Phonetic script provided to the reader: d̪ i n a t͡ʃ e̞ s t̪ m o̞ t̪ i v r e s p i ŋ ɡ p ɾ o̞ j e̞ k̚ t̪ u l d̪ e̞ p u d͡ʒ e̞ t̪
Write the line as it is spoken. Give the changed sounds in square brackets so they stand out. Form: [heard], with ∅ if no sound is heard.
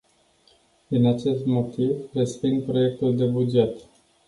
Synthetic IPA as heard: d̪ i n a t͡ʃ e̞ s t̪ m o̞ t̪ i v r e s p i ŋ ɡ p ɾ o̞ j e̞ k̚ t̪ u l d̪ e̞ [b] u d͡ʒ e̞ t̪